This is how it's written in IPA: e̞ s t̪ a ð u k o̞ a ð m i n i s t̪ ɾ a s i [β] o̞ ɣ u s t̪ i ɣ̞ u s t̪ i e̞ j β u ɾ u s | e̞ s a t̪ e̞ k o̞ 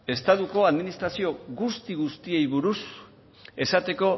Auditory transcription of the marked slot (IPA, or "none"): none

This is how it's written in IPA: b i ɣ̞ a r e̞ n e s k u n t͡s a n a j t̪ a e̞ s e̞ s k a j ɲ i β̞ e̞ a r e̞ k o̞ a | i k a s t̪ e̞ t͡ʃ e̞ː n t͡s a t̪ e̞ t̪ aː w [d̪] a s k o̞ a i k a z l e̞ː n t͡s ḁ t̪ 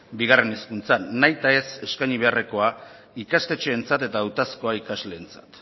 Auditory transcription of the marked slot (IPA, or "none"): t̪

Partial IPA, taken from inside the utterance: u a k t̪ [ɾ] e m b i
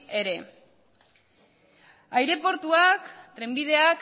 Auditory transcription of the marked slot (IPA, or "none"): ɾ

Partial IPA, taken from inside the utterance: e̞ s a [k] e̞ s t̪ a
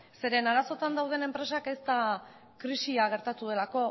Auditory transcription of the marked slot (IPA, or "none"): k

